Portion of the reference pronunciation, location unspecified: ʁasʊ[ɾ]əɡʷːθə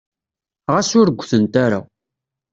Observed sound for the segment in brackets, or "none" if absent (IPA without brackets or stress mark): ɾ